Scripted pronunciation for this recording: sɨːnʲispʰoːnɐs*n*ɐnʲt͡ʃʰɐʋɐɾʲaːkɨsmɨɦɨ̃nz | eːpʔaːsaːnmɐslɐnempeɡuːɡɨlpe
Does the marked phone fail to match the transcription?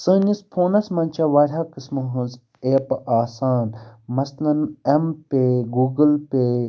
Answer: yes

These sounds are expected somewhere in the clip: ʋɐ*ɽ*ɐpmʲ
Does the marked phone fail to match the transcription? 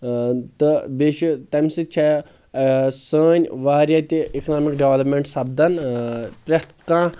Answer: yes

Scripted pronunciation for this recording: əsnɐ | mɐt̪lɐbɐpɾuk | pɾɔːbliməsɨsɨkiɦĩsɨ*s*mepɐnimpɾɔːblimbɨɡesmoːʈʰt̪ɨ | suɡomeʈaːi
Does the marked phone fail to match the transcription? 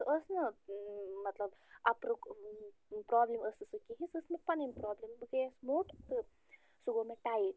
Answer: no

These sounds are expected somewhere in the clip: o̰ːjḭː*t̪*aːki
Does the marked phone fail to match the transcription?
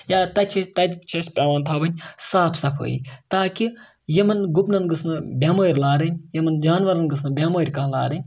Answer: no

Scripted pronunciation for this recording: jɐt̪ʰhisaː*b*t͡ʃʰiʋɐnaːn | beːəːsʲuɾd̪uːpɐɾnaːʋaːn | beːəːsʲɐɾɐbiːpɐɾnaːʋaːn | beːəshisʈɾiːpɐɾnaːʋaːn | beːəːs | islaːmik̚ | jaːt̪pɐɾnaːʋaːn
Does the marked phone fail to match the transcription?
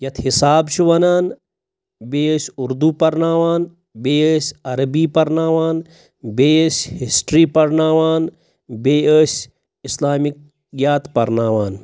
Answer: no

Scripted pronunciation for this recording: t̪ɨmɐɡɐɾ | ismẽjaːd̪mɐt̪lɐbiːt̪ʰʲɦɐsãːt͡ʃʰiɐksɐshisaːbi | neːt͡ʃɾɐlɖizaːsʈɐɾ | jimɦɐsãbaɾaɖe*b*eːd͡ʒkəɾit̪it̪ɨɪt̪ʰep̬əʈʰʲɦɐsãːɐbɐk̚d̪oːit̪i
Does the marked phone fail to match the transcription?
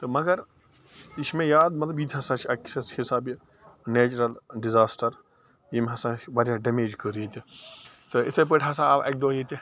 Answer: yes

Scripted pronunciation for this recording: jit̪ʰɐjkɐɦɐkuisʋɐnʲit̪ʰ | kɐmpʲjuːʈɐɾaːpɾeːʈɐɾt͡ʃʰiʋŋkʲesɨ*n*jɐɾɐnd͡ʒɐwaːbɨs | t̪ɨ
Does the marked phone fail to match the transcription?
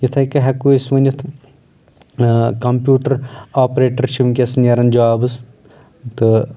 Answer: no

